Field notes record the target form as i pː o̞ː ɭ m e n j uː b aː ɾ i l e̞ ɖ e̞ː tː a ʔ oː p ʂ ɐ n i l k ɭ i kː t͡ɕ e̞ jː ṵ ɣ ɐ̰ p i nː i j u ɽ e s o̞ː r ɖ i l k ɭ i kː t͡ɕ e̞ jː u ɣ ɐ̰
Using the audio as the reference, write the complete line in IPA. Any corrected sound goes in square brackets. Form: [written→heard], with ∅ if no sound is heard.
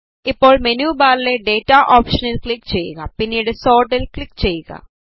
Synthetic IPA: i pː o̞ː ɭ m e n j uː b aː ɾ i l e̞ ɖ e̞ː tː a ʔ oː p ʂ ɐ n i l k ɭ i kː t͡ɕ e̞ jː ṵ ɣ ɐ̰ p i nː i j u ɽ e s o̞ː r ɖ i l k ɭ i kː t͡ɕ e̞ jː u ɣ ɐ̰